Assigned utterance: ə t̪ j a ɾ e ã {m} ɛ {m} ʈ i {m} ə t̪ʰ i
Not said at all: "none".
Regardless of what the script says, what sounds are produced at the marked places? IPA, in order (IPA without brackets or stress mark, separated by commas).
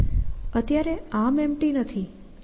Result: m, m, n